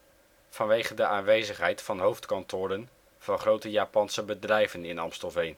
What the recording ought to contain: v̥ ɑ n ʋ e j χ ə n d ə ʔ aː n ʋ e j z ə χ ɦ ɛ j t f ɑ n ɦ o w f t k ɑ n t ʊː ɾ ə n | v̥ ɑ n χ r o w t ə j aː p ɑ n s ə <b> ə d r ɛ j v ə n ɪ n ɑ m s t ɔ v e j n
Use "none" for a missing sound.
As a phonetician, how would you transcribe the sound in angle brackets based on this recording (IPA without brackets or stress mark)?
b